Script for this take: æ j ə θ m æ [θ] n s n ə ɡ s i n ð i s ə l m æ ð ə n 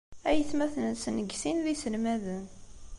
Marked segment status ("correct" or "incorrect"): correct